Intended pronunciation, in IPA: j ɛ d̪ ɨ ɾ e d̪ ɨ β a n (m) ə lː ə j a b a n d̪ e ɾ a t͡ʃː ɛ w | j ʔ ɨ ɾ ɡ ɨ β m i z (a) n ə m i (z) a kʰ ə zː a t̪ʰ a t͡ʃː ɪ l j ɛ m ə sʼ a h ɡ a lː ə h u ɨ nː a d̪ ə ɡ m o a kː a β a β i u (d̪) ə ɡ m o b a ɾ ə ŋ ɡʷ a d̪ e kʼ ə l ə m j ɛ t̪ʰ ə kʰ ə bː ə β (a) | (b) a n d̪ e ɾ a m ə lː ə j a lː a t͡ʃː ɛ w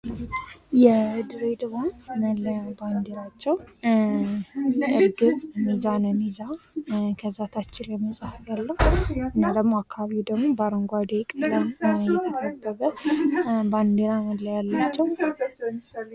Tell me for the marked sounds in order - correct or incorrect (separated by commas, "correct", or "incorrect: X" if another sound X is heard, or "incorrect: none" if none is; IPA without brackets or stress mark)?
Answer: correct, correct, correct, correct, incorrect: ə, correct